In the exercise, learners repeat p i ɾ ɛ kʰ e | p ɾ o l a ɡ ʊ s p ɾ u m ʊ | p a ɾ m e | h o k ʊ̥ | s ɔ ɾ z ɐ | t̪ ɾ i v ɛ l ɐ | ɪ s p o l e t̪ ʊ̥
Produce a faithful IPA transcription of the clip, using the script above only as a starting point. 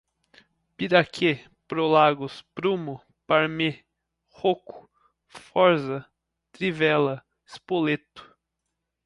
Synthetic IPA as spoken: p i ɾ a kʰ e | p ɾ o l a ɡ ʊ s p ɾ u m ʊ | p a ɾ m e | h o k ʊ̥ | f ɔ ɾ z ɐ | t̪ ɾ i v ɛ l ɐ | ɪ s p o l e t̪ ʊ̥

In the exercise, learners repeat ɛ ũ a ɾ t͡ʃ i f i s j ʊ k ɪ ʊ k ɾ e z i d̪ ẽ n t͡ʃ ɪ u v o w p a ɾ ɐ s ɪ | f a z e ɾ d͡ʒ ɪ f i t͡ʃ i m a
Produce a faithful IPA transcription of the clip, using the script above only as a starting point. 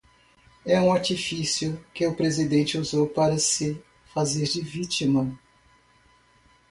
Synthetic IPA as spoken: ɛ ũ a ɾ t͡ʃ i f i s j ʊ k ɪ ʊ p ɾ e z i d̪ ẽ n t͡ʃ ɪ u z o w p a ɾ ɐ s ɪ | f a z e ɾ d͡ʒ ɪ v i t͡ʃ i m ɐ

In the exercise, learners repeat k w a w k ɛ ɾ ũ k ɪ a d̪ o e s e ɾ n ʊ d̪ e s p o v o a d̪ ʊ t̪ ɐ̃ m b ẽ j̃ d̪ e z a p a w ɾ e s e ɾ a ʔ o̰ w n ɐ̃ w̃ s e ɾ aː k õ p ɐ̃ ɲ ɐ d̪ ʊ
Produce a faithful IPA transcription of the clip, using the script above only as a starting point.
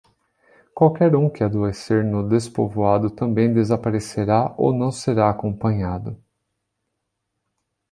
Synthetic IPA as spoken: k w a w k ɛ ɾ ũ k ɪ a d̪ o e s e ɾ n ʊ d̪ e s p o v o a d̪ ʊ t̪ ɐ̃ m b ẽ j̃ d̪ e z a p a ɾ e s e ɾ a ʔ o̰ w n ɐ̃ w̃ s e ɾ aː k õ p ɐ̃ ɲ a d̪ ʊ

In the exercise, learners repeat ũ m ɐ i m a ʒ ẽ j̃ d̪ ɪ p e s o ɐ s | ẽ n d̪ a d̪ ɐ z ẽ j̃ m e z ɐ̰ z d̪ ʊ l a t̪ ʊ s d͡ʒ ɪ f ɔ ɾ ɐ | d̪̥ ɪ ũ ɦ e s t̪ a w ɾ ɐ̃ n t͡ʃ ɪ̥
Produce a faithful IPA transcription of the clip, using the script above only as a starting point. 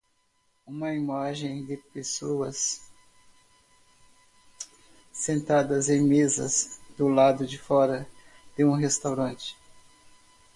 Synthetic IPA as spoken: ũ m ɐ i m a ʒ ẽ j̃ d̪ ɪ p e s o ɐ s | ẽ n t̪ a d̪ ɐ z ẽ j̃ m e z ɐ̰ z d̪ ʊ l a d̪ ʊ d͡ʒ ɪ f ɔ ɾ ɐ | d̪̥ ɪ ũ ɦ e s t̪ a w ɾ ɐ̃ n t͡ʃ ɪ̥

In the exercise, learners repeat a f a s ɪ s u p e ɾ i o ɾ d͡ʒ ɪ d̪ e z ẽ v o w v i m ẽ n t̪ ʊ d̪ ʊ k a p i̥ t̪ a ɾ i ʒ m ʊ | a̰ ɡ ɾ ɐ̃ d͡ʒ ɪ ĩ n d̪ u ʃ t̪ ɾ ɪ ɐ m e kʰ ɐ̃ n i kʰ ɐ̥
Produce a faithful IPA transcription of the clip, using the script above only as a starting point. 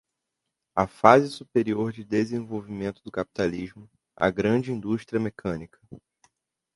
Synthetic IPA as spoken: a f a z ɪ s u p e ɾ i o ɾ d͡ʒ ɪ d̪ e z ẽ v o w v i m ẽ n t̪ ʊ d̪ ʊ k a p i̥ t̪ a l i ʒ m ʊ | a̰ ɡ ɾ ɐ̃ d͡ʒ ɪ ĩ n d̪ u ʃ t̪ ɾ i ɐ m e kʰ ɐ̃ n i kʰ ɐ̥

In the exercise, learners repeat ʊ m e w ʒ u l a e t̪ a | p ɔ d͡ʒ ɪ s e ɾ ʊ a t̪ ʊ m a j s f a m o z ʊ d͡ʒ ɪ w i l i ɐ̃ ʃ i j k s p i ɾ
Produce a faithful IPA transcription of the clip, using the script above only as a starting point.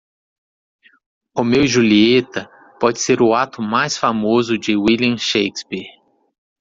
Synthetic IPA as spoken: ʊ m e w ʒ u l i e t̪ ɐ | p ɔ d͡ʒ ɪ s e ɾ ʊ a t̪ ʊ m a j s f a m o z ʊ d͡ʒ ɪ w i l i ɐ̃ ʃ e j k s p i ɾ

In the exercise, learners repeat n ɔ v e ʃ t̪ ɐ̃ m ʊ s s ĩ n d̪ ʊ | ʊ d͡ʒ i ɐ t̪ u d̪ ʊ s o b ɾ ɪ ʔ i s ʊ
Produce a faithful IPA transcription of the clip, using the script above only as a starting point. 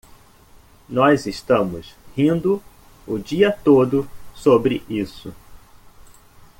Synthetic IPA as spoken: n ɔ z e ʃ t̪ ɐ̃ m ʊ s h ĩ n d̪ ʊ | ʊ d͡ʒ i ɐ t̪ o d̪ ʊ s o b ɾ ɪ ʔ i s ʊ

